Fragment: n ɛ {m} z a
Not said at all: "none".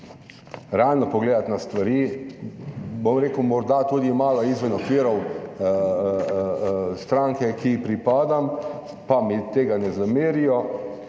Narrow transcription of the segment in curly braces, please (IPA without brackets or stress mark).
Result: none